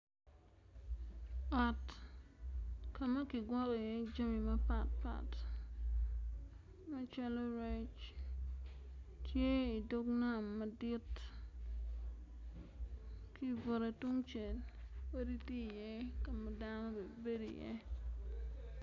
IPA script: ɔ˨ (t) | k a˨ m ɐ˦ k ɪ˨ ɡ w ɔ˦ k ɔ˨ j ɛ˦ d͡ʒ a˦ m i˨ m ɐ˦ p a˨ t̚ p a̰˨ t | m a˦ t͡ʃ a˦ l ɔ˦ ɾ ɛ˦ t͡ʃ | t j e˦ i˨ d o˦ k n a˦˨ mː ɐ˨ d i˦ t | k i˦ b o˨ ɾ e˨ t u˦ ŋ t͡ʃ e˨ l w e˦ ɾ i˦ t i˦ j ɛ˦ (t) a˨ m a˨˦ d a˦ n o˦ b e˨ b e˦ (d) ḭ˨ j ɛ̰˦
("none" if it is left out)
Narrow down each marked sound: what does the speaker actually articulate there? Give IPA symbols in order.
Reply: t, k, d

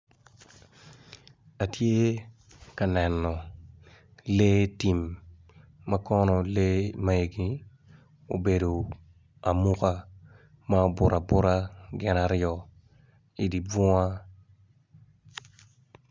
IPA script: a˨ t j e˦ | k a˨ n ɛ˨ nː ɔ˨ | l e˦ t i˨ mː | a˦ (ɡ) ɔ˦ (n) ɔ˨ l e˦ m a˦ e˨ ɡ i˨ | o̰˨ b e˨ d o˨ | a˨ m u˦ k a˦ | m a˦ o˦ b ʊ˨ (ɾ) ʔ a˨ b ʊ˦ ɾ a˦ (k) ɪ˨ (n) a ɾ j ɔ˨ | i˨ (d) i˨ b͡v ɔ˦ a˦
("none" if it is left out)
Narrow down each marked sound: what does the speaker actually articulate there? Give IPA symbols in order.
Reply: k, n, ɾ, ɡ, n, d

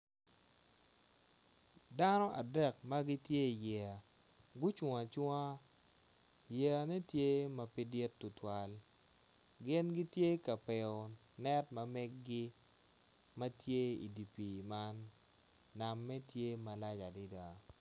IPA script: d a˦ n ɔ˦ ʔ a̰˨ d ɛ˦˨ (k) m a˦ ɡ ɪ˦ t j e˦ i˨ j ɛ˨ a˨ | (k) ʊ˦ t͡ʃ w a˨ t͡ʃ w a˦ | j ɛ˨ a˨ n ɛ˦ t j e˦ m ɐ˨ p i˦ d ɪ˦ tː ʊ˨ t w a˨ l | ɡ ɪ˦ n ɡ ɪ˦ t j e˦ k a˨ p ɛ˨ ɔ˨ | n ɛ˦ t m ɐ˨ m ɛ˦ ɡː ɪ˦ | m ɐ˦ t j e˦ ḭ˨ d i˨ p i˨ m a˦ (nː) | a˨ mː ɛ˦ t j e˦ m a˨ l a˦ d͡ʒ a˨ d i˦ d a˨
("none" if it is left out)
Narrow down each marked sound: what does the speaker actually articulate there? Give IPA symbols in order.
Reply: k, ɡ, nː

